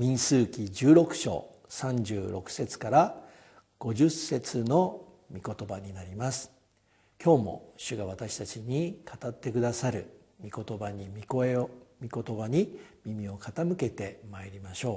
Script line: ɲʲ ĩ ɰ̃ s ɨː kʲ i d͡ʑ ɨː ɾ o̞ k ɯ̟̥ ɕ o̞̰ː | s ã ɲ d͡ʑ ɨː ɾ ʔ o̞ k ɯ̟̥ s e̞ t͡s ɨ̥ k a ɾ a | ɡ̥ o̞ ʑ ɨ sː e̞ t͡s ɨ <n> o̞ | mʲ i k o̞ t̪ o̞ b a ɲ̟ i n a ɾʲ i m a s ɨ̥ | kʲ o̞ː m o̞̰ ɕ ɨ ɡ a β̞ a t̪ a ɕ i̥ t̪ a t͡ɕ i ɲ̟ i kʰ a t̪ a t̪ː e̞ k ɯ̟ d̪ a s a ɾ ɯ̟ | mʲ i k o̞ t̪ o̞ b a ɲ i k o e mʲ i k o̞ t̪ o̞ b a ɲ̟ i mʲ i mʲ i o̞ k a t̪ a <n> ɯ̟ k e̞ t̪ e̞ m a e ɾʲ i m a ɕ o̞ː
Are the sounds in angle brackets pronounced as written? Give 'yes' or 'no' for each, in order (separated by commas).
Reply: yes, no